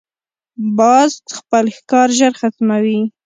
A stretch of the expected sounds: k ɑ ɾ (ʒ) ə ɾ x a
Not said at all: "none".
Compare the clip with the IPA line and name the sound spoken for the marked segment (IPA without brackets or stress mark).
ʒ